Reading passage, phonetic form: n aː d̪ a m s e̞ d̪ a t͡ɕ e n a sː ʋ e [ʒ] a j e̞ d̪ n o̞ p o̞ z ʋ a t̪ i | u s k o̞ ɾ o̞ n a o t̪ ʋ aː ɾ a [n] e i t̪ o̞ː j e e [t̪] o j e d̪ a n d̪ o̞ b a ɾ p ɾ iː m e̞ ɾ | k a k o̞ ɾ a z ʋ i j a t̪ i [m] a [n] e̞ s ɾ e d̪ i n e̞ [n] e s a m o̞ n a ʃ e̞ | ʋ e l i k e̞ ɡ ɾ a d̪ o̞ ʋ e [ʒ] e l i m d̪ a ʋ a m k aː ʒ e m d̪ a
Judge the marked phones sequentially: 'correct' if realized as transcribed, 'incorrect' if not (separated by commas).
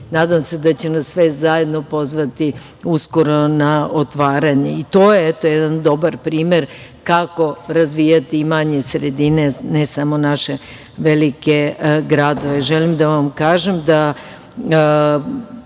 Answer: incorrect, incorrect, correct, correct, incorrect, correct, correct